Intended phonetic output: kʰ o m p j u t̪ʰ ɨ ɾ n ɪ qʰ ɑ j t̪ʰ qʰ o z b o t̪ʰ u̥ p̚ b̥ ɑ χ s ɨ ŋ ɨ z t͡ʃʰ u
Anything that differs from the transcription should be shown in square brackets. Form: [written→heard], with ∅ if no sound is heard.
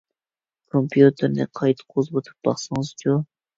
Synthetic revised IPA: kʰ o m p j u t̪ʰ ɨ ɾ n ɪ qʰ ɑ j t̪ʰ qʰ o z b o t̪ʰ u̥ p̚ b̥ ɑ χ s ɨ ŋ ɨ z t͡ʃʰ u